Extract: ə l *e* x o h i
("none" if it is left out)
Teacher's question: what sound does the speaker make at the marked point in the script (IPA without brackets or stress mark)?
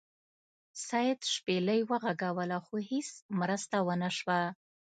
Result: a